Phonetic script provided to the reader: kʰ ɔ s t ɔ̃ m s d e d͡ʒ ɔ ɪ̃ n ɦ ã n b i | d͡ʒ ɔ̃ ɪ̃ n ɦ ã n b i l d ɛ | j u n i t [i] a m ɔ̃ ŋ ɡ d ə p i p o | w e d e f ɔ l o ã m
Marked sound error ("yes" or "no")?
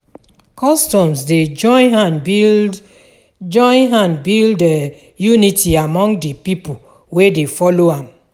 no